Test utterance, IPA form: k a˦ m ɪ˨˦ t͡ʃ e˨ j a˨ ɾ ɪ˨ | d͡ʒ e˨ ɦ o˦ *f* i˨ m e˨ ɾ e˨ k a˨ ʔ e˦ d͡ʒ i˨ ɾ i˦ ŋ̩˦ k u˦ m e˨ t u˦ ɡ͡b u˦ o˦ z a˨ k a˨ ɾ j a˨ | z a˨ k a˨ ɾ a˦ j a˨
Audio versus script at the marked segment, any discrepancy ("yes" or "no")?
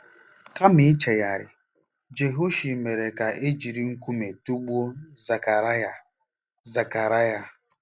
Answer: yes